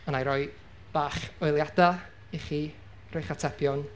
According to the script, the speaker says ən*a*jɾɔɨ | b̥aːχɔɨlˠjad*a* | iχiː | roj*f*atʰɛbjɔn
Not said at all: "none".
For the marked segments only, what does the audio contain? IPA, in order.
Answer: a, a, χ

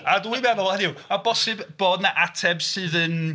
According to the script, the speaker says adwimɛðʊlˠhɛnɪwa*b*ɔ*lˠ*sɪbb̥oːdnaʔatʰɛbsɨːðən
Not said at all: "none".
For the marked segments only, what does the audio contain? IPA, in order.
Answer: b, none

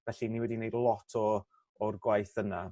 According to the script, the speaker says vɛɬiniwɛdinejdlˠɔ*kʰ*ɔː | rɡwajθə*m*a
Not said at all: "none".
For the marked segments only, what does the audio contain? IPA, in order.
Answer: tʰ, n

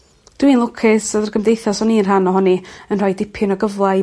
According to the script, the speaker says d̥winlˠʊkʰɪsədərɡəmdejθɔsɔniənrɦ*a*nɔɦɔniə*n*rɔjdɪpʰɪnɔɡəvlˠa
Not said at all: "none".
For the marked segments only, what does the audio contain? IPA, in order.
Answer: a, n

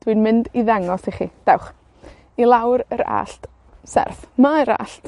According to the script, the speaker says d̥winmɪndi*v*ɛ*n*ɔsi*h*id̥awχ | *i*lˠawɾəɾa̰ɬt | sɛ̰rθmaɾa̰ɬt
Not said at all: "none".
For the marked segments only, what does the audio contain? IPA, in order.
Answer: ð, ŋ, χ, i

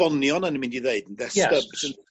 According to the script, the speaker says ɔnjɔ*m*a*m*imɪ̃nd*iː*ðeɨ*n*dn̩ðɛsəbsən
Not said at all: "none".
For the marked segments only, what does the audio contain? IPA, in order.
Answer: n, n, i, none

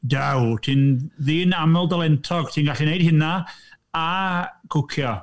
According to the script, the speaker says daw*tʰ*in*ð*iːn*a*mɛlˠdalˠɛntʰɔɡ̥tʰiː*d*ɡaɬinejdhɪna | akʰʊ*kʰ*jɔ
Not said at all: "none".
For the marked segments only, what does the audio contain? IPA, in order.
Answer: tʰ, ð, a, n, kʰ

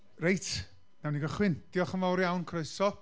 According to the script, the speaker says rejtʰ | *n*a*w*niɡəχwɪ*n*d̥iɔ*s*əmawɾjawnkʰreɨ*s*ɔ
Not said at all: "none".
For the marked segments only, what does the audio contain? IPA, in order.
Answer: n, w, n, χ, s

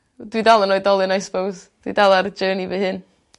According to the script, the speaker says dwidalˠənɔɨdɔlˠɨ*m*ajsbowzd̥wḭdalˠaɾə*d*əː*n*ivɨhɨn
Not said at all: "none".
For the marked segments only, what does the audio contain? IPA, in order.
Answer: n, d͡ʒ, n

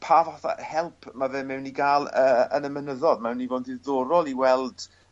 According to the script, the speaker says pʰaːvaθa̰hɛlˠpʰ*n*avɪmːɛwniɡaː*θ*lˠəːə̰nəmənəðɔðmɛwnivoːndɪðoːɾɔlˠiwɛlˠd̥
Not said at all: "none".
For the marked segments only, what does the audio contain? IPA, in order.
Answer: m, none

